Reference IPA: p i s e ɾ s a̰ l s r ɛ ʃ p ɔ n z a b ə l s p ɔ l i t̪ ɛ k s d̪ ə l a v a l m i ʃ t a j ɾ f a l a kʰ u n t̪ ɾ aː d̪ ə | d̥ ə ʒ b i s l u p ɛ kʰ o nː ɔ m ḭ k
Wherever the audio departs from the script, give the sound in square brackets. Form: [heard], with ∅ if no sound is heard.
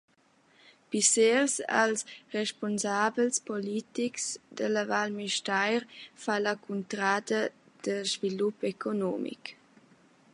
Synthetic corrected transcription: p i s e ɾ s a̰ l s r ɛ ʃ p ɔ n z a b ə l s p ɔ l i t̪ [i] k s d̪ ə l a v a l m i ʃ t a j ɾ f a l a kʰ u n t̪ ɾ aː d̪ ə | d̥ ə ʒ [v] i [∅] l u p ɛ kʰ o [n] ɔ m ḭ k